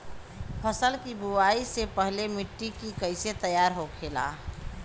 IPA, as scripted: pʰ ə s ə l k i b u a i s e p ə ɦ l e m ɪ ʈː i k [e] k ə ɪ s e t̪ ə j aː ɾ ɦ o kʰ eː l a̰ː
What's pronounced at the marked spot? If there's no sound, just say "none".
i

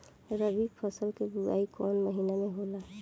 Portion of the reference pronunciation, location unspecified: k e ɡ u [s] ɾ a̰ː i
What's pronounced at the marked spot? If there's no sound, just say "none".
none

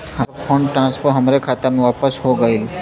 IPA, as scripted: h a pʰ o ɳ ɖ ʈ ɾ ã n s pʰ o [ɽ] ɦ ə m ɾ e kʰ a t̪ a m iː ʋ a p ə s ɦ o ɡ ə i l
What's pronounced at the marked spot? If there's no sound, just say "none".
ɾ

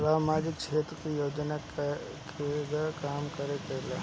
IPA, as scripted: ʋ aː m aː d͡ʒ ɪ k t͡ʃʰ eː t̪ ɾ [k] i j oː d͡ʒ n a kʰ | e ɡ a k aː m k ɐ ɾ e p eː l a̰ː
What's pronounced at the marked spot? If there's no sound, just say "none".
k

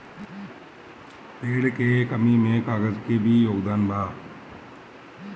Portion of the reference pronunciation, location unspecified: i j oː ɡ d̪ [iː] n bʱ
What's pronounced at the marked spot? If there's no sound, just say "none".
aː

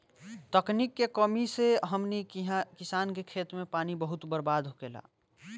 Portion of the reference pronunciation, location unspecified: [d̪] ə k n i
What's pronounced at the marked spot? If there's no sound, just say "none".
t̪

